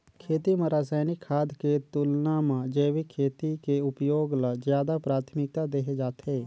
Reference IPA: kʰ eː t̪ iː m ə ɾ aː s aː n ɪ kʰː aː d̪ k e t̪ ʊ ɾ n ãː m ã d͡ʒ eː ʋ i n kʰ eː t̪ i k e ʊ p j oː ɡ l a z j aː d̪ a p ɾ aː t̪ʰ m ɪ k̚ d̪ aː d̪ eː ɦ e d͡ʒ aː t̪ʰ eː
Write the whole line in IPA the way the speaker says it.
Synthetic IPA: kʰ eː t̪ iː m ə ɾ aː s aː n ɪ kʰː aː d̪ k e t̪ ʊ l n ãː m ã d͡ʒ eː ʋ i kʰ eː t̪ i k e ʊ p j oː ɡ l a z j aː d̪ a p ɾ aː t̪ʰ m ɪ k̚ t̪ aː d̪ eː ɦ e d͡ʒ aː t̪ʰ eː

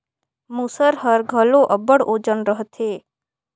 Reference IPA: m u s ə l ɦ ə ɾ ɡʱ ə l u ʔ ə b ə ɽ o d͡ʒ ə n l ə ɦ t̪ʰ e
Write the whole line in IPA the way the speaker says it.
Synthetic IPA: m u s ə ɾ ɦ ə ɾ ɡʱ ə l o ʔ ə b ə ɽ o d͡ʒ ə n ɾ ə ɦ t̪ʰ e

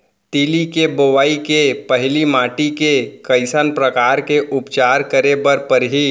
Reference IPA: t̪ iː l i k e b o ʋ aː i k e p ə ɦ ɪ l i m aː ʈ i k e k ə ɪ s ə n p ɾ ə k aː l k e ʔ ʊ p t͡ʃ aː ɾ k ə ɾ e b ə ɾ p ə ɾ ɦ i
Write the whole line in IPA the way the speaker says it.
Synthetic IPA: t̪ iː l i k e b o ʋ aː i k e p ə ɦ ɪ l i m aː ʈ i k e k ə ɪ s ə n p ɾ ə k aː ɾ k e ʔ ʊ p t͡ʃ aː ɾ k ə ɾ e b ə ɾ p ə ɾ ɦ i

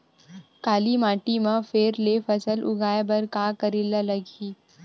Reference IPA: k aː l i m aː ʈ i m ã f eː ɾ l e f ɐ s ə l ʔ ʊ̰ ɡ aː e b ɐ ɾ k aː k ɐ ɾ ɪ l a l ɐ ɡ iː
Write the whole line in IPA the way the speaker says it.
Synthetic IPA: k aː l i m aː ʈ i m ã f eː ɾ l e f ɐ s ə l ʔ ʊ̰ ɡ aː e b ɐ ɾ k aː k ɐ ɾ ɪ l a l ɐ ɡ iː

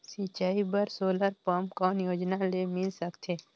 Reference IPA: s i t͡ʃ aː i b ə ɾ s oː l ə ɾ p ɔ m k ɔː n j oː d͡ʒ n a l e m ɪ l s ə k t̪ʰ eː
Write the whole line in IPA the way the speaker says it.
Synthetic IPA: s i t͡ʃ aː i b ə ɾ s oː l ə ɾ p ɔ m k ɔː n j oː d͡ʒ n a l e m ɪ l s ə k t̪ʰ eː

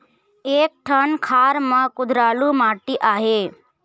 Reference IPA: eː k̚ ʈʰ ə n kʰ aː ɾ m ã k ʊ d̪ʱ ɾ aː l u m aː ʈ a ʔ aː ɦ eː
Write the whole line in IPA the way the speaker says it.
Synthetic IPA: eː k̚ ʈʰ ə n kʰ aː ɾ m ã k ʊ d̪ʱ ɾ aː l u m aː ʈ i ʔ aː ɦ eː

